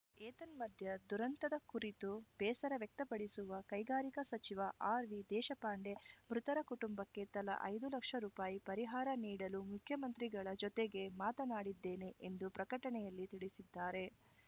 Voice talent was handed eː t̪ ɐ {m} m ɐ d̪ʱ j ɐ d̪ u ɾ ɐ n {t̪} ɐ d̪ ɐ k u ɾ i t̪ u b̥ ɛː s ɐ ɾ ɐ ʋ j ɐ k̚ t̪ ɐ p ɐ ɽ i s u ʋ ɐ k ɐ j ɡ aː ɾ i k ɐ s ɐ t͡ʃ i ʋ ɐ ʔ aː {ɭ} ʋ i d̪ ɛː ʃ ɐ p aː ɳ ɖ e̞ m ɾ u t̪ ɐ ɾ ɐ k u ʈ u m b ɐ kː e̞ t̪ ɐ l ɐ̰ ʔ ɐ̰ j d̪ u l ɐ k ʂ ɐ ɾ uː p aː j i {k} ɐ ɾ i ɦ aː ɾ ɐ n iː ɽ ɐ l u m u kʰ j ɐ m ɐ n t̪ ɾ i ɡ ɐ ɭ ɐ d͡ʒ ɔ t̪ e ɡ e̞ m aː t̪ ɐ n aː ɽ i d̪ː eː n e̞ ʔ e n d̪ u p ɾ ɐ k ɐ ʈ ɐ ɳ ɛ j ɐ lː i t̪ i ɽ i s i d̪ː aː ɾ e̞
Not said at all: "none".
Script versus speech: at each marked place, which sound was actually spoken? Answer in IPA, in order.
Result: n, t̪, ɾ, p

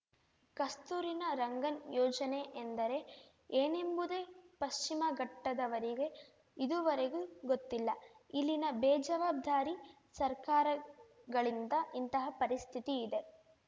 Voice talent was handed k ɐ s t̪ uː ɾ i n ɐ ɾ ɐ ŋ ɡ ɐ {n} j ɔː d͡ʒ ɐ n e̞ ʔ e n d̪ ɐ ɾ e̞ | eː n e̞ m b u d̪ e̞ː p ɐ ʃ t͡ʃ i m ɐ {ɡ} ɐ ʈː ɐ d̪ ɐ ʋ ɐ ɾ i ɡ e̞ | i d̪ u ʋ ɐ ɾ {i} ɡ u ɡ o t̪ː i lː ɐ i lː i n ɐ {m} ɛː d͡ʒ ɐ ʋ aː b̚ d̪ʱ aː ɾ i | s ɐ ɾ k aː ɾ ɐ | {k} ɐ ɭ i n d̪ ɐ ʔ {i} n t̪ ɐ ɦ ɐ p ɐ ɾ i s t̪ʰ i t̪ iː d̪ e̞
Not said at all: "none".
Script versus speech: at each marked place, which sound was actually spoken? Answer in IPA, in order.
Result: n, ɡ, e, b, ɡ, i

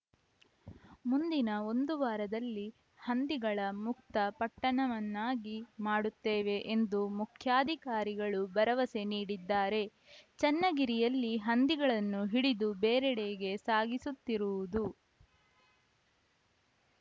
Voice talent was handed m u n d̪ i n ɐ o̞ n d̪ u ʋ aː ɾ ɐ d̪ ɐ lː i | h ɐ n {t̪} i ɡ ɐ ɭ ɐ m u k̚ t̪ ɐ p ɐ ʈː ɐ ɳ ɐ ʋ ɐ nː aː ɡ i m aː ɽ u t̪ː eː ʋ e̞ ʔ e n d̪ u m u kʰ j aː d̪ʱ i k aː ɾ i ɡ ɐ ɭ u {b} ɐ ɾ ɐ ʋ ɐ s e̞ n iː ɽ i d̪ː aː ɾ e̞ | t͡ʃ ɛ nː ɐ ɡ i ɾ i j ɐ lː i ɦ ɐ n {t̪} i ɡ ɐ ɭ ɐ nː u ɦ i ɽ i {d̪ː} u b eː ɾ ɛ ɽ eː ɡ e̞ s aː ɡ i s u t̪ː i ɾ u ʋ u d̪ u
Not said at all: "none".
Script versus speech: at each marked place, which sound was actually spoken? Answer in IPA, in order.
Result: d̪, b, d̪, d̪

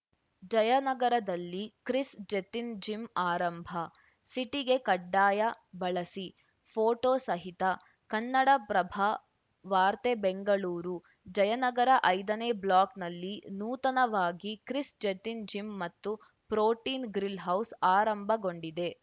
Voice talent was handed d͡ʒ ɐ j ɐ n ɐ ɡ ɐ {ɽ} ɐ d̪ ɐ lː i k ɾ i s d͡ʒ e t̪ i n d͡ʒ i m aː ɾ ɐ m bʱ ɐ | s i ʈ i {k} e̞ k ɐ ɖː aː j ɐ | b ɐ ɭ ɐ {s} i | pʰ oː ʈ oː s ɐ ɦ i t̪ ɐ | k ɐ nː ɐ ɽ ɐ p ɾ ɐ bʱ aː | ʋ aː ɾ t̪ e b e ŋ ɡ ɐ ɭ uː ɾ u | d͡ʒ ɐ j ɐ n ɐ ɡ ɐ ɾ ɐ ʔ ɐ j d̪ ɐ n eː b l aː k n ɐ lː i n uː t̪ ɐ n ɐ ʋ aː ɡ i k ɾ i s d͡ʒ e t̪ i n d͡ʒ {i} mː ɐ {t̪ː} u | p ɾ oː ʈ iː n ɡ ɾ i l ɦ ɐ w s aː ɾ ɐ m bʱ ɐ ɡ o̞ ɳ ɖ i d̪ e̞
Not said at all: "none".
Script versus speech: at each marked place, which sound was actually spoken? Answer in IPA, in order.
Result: ɾ, ɡ, s, i, t̪ː

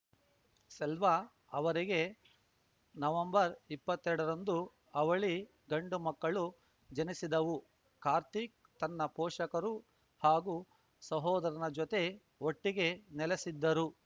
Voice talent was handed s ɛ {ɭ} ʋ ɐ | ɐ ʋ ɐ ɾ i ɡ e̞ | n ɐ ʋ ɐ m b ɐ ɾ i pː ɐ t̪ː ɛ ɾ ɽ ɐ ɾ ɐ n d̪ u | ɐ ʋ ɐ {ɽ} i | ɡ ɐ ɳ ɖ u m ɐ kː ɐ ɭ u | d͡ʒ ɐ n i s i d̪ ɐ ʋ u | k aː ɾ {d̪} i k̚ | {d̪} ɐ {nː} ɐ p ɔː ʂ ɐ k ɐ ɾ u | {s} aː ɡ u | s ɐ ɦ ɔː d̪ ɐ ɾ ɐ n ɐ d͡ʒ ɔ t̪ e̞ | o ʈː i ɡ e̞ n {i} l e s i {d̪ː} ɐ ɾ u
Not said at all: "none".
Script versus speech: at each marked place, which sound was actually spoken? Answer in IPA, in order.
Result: l, ɭ, t̪, t̪, nː, h, ɛ, d̪ː

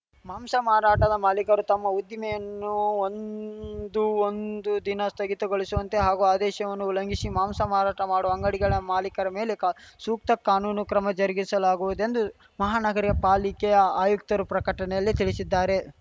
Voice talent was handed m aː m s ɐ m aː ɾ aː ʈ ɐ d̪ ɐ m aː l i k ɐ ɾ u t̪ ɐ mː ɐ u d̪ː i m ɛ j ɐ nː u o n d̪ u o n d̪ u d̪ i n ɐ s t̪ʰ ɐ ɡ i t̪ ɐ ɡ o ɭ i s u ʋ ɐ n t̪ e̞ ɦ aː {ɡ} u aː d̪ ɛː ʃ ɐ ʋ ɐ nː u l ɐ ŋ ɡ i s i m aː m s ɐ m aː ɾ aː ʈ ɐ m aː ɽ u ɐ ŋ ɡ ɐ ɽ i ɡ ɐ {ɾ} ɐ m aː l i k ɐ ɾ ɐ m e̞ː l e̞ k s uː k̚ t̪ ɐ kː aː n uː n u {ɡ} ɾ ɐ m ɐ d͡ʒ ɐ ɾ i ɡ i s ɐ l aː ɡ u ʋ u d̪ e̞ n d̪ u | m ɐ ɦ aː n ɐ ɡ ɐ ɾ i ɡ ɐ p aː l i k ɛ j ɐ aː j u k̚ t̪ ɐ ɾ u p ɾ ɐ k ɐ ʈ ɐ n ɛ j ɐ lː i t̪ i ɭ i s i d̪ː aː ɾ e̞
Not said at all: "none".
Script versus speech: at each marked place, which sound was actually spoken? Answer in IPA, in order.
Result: ɡ, ɭ, k

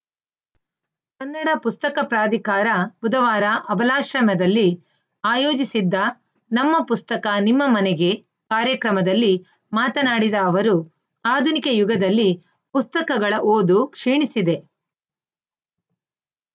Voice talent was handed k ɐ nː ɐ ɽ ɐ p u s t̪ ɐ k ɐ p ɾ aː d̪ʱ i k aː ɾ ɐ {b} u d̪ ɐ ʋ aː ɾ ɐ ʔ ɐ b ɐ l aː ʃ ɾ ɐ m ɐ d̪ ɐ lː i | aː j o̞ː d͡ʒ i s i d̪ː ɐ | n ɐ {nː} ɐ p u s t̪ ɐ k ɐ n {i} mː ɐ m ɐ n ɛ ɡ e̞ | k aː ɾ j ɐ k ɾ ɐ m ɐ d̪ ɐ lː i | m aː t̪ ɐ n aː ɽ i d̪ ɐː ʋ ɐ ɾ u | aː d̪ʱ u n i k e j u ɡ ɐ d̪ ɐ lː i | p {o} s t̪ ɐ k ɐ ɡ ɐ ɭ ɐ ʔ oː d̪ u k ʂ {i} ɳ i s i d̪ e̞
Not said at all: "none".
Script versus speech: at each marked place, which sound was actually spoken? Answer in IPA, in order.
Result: b, mː, i, u, iː

